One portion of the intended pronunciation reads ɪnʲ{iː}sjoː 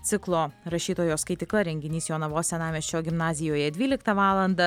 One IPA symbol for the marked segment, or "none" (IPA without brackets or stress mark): iː